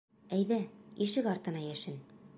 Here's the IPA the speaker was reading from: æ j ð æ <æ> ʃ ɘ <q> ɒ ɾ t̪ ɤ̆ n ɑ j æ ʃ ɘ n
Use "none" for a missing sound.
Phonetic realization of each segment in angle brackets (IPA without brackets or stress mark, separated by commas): i, k